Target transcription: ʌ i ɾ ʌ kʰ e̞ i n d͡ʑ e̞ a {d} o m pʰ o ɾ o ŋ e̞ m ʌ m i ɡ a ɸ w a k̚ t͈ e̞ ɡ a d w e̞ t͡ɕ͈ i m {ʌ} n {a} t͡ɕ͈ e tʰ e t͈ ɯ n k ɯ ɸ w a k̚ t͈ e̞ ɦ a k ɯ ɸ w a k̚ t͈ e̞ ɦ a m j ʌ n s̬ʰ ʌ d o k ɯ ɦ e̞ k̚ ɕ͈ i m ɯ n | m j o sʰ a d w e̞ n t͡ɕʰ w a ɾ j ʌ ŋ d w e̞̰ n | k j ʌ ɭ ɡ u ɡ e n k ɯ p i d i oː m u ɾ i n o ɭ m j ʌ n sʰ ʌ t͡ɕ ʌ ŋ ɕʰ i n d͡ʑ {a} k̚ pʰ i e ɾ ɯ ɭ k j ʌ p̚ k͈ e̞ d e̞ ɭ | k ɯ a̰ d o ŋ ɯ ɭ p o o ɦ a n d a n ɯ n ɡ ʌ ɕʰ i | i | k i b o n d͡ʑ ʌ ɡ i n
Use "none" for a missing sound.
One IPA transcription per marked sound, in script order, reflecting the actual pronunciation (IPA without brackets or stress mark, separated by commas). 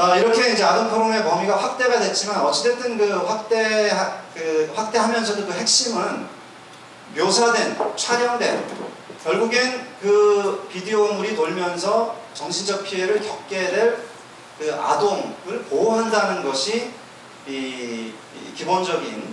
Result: d, a, ʌ, ʌ